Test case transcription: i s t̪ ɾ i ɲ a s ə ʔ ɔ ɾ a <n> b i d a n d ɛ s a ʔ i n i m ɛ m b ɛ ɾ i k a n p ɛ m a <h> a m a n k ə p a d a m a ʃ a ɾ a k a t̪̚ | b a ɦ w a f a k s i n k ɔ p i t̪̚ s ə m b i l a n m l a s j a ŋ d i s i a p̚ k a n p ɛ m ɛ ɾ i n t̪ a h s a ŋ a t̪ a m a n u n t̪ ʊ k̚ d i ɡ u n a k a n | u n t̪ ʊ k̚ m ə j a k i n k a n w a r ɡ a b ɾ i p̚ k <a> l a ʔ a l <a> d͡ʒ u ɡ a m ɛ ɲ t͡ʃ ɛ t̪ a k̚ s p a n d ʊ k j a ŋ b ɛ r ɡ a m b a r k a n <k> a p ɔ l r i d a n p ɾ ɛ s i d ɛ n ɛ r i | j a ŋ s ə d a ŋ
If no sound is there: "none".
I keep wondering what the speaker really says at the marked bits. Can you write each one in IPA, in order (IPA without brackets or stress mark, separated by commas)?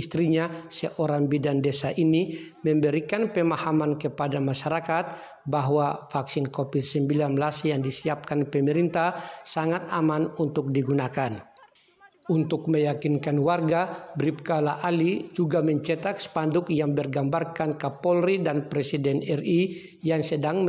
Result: ŋ, h, a, i, k